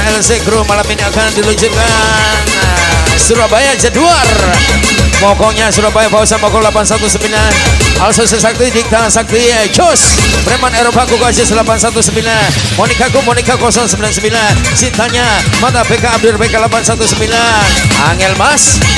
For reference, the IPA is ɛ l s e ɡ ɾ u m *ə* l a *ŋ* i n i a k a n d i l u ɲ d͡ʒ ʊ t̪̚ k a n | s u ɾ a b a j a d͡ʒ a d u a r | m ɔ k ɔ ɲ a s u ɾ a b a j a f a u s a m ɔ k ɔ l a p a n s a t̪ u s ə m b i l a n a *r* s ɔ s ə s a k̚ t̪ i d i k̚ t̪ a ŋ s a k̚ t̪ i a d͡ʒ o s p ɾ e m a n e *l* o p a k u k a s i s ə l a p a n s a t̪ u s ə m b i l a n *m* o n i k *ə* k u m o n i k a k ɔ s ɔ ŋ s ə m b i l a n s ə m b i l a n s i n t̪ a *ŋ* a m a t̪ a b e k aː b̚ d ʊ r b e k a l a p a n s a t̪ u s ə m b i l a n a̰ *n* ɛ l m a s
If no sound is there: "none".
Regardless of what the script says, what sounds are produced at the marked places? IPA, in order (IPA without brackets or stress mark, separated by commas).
a, m, l, ɾ, m, a, ɲ, ŋ